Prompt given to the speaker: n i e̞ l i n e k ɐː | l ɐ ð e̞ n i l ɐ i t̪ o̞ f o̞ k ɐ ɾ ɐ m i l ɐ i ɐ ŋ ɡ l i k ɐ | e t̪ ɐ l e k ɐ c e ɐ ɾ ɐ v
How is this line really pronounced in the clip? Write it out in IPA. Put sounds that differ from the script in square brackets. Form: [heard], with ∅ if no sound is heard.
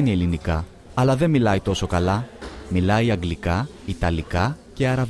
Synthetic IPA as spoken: n i e̞ l i n [i] k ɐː | l ɐ ð e̞ [m] i l ɐ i t̪ o̞ [s] o̞ k ɐ [l] ɐ m i l ɐ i ɐ ŋ ɡ l i k ɐ | [i] t̪ ɐ l [i] k ɐ c e ɐ ɾ ɐ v